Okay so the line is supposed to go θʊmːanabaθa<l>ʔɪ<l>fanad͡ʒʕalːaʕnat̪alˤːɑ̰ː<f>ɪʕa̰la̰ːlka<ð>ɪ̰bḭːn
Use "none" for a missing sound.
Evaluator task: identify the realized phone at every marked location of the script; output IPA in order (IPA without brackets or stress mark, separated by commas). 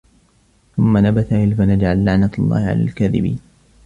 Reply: none, l, h, ð